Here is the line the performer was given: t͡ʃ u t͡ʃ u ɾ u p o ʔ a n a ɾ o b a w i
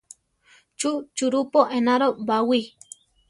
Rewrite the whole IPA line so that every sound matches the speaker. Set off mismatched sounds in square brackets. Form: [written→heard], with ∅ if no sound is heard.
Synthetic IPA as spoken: t͡ʃ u t͡ʃ u ɾ u p o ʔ [a→e] n a ɾ o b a w i

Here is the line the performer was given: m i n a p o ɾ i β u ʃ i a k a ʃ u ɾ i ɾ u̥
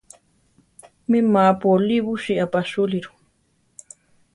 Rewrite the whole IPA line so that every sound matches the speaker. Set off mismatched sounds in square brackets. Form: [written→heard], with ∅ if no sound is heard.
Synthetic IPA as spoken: m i [n→m] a p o [ɾ→l] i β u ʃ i a [k→p] a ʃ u [ɾ→l] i ɾ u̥

